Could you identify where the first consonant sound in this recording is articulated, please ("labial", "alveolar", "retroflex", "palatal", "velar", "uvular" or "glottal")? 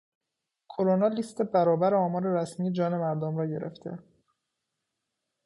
velar